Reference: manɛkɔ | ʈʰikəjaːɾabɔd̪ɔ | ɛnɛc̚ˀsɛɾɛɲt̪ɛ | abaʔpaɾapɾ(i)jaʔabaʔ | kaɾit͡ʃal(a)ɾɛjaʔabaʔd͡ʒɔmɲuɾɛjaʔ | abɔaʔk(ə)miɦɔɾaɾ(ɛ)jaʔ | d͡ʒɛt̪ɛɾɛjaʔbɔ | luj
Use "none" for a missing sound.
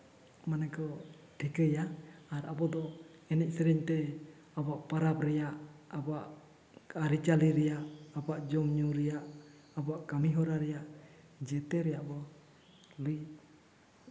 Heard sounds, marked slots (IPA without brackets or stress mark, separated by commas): ɛ, i, a, ɛ